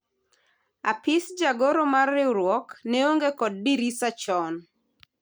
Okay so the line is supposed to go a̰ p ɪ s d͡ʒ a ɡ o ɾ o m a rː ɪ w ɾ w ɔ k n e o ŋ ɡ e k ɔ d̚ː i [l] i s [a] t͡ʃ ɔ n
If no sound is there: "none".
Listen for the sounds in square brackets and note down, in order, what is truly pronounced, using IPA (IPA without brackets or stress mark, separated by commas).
ɾ, a